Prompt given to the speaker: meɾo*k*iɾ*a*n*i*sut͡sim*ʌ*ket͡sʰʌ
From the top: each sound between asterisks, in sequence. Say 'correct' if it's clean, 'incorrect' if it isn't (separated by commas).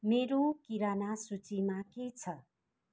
correct, correct, incorrect, incorrect